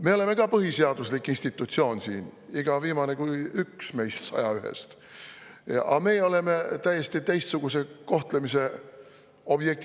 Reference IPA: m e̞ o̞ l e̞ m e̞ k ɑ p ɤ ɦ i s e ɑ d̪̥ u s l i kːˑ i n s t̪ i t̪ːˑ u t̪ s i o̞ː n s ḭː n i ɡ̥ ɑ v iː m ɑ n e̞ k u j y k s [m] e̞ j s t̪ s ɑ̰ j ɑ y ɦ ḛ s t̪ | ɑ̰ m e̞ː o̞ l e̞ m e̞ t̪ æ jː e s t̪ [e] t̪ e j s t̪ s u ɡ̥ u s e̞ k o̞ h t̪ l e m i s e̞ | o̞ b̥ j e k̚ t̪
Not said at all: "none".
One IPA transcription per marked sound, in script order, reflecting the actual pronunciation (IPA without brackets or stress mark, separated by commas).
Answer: m, i